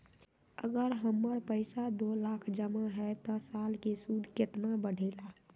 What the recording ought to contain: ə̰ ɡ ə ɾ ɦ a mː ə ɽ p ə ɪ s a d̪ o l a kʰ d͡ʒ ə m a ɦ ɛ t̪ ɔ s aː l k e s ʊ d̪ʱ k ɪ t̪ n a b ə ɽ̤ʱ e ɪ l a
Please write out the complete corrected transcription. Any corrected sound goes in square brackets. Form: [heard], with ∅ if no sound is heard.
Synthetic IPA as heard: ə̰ ɡ ə ɾ ɦ [ə] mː ə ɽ p ə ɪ s a d̪ o l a kʰ d͡ʒ ə m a ɦ ɛ t̪ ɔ s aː l k e s [u] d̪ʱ k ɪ t̪ n a b ə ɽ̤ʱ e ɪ l a